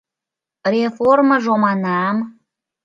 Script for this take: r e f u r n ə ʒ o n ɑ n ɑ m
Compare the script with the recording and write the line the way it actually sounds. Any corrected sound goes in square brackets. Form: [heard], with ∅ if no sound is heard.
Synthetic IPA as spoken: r e f [o] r [m] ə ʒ o [m] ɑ n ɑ m